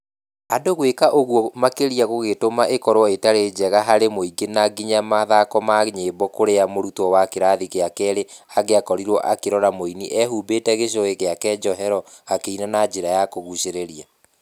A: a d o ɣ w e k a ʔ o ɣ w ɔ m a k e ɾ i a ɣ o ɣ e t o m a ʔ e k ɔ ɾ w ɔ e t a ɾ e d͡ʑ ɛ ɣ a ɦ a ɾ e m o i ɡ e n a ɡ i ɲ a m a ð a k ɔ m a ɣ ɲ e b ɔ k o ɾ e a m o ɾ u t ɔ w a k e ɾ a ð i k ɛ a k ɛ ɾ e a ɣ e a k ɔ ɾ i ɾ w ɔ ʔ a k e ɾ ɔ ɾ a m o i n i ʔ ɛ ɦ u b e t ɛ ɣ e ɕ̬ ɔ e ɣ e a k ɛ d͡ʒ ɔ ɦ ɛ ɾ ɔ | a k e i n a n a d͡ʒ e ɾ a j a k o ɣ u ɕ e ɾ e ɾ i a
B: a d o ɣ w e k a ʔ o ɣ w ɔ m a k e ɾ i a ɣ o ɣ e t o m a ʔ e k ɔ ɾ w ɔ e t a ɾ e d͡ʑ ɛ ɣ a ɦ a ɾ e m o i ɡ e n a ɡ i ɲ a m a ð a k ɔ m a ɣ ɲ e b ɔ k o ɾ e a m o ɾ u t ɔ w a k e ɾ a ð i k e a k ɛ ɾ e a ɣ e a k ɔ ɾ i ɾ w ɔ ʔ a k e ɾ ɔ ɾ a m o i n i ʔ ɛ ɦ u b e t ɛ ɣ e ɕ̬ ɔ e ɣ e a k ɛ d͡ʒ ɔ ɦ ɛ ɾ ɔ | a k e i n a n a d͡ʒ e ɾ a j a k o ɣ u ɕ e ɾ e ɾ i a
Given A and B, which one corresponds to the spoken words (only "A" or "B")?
B